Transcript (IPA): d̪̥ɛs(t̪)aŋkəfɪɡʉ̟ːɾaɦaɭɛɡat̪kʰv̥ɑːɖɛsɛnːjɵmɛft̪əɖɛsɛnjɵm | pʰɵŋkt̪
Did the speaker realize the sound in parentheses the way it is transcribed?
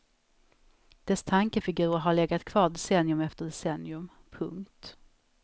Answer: no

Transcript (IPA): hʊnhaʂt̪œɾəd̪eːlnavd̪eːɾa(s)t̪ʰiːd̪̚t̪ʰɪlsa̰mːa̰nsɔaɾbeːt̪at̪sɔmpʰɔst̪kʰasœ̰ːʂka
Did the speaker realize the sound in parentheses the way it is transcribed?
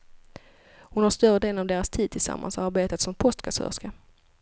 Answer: yes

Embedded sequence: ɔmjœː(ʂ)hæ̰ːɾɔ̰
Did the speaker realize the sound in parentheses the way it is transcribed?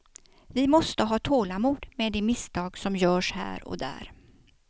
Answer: yes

